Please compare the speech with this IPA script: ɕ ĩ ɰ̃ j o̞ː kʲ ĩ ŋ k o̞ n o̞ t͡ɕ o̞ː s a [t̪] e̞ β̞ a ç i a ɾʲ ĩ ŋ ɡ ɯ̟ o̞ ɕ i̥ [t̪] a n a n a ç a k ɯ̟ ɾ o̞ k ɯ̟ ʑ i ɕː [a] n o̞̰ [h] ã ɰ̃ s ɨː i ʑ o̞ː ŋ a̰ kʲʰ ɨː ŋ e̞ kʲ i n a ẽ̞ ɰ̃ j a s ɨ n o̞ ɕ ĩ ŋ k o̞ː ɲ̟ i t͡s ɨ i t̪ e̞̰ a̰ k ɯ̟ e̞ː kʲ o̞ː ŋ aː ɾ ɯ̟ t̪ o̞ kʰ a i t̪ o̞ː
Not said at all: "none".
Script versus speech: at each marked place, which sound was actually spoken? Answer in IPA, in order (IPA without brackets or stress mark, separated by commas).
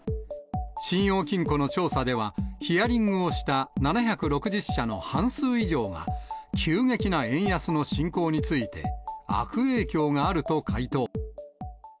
d̪, t̪, a, h